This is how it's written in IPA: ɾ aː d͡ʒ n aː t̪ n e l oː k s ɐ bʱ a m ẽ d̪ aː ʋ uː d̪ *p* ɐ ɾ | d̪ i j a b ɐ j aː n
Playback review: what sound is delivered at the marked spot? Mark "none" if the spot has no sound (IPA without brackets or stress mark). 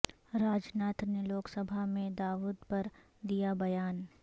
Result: p